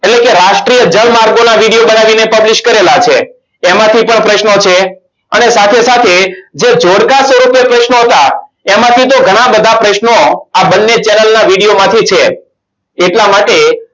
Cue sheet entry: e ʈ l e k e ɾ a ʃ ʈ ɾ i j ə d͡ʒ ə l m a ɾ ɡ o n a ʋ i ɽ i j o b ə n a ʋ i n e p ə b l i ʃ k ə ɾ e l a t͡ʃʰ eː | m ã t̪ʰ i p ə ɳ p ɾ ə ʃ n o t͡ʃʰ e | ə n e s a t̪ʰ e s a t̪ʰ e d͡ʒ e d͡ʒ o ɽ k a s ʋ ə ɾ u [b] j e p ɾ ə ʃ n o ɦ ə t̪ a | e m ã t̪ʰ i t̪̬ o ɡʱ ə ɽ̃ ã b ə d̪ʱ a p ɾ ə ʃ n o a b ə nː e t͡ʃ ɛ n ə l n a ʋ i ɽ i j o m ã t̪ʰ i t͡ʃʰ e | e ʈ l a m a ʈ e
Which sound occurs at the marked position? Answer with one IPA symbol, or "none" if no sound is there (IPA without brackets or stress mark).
p